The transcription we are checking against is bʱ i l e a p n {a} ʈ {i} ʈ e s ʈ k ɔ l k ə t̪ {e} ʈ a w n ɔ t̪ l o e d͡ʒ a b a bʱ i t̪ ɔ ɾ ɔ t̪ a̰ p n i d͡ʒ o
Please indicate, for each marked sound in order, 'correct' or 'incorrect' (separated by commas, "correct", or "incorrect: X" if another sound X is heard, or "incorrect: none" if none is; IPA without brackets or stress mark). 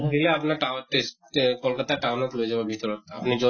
correct, incorrect: a, incorrect: a